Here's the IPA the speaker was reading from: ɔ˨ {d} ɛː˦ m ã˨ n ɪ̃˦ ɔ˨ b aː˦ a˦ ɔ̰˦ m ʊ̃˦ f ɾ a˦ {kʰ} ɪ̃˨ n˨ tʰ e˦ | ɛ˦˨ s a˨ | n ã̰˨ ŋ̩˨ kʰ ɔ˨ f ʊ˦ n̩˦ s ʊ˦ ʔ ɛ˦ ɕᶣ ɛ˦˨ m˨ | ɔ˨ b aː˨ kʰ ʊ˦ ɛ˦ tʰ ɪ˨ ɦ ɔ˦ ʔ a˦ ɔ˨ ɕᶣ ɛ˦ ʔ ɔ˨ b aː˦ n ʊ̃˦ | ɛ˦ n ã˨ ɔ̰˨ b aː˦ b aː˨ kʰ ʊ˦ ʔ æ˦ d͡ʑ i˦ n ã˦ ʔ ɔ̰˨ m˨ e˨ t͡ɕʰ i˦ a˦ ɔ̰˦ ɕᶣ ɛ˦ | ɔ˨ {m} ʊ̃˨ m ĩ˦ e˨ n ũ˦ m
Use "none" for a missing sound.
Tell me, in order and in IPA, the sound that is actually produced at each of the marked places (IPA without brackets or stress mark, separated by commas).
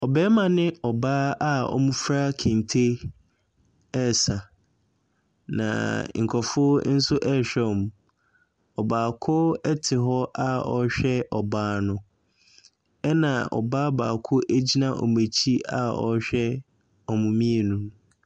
b, kʰ, m